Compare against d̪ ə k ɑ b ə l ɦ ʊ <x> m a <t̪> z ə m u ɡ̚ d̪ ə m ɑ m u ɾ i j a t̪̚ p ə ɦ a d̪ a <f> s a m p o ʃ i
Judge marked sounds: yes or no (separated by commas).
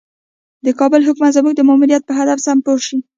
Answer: no, yes, yes